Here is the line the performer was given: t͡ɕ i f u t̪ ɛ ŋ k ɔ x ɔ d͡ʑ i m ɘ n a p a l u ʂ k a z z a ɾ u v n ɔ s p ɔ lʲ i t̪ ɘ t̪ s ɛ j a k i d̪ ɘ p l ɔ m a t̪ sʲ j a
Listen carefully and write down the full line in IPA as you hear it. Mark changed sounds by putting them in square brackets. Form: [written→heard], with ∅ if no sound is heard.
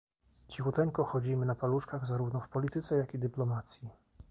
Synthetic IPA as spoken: t͡ɕ i [f→x] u t̪ ɛ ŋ k ɔ x ɔ d͡ʑ i m ɘ n a p a l u ʂ k a [z→ɣ] z a ɾ u v n ɔ [s→f] p ɔ lʲ i t̪ ɘ t̪ s ɛ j a k i d̪ ɘ p l ɔ m a t̪ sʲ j [a→i]